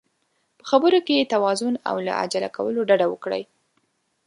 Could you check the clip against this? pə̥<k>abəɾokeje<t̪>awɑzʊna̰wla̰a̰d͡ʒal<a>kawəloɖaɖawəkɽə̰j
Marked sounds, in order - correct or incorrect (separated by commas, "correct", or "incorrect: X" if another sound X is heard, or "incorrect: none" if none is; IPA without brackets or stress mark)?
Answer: incorrect: x, correct, correct